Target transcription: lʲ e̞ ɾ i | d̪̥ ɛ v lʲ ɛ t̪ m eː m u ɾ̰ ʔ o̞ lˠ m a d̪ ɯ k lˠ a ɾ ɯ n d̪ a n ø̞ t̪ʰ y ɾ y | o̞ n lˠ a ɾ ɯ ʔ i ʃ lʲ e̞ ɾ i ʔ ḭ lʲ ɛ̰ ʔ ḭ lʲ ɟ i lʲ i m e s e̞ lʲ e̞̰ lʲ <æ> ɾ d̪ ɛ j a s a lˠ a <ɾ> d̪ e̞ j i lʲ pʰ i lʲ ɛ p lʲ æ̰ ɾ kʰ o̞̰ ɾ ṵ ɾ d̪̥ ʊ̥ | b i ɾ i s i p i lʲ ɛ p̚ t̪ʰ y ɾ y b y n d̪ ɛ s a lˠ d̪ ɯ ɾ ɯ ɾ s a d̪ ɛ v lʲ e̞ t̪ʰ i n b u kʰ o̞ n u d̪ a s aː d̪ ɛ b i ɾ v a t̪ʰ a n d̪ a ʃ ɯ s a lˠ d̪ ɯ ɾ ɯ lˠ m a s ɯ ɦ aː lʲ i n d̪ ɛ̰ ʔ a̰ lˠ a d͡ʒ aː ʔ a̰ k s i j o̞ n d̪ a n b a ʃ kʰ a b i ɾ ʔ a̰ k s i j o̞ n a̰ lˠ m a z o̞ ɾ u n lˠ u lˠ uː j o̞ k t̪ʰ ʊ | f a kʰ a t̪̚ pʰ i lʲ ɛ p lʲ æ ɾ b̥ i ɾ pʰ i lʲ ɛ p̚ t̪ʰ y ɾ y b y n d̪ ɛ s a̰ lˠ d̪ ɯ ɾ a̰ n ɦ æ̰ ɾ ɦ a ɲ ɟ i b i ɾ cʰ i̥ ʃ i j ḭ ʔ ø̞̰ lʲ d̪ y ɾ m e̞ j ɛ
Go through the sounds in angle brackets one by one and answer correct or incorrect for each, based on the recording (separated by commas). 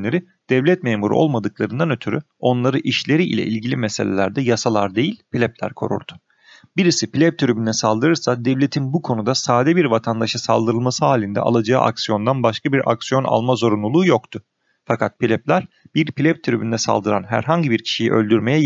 correct, correct